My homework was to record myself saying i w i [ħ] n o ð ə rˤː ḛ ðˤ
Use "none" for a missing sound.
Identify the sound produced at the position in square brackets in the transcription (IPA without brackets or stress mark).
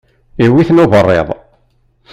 θ